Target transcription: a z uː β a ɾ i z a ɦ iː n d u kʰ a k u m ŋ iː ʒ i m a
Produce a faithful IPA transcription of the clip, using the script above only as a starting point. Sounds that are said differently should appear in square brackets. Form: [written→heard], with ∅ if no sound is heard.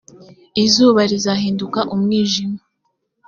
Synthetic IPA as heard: [a→i] z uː β a ɾ i z a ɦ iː n d u [kʰ→k] a [k→ʔ] u m ŋ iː ʒ i m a